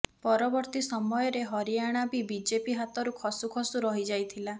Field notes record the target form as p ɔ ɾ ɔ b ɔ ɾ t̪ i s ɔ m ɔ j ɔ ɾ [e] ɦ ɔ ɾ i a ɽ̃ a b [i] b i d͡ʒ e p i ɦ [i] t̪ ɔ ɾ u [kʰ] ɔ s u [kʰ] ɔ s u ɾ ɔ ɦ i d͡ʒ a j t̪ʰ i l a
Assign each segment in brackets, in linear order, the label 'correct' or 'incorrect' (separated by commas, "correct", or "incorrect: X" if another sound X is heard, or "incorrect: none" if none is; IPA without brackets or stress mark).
correct, correct, incorrect: a, correct, correct